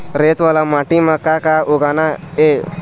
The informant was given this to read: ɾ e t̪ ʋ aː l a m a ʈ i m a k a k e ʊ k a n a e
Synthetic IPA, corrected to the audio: ɾ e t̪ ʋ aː l a m a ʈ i m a k a k a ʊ ɡ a n a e